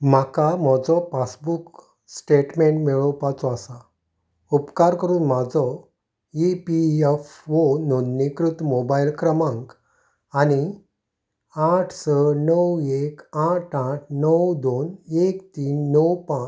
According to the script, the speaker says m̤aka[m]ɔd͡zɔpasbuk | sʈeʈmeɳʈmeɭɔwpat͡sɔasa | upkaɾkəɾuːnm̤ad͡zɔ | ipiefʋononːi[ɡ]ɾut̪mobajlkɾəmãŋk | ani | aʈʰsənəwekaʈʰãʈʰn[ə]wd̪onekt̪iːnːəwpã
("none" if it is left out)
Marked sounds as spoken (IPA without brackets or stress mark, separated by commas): m, k, ə